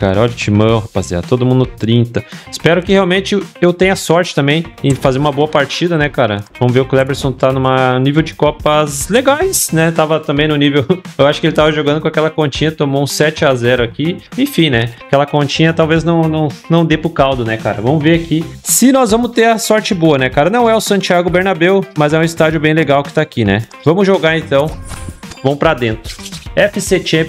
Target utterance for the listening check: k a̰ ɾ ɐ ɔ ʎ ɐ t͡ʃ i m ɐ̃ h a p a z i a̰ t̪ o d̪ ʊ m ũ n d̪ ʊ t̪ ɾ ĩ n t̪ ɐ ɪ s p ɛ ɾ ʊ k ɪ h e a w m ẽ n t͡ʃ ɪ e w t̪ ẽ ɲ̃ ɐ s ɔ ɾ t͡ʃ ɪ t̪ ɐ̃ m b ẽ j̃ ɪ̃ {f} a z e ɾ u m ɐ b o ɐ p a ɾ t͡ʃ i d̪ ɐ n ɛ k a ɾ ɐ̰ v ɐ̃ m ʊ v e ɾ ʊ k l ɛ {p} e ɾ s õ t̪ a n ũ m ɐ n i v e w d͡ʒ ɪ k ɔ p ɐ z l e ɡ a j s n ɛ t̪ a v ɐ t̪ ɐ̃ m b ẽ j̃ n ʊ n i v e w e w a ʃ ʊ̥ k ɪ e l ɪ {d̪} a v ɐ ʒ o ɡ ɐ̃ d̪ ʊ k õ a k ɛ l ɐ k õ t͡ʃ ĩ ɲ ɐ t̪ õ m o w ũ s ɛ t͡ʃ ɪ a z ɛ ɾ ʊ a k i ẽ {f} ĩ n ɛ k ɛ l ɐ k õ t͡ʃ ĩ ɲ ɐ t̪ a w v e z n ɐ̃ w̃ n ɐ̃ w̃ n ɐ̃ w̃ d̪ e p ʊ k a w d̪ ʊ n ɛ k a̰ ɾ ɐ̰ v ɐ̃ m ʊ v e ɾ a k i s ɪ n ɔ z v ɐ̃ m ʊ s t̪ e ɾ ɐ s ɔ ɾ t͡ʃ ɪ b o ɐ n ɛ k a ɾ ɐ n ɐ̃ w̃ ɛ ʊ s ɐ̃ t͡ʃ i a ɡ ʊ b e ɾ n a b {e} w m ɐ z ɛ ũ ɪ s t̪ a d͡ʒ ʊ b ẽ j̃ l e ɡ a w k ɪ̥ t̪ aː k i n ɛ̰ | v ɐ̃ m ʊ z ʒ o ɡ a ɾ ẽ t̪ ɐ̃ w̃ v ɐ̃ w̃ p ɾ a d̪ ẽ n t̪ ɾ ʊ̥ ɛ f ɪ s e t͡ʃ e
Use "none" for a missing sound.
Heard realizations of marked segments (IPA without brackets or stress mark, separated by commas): f, b, t̪, f, e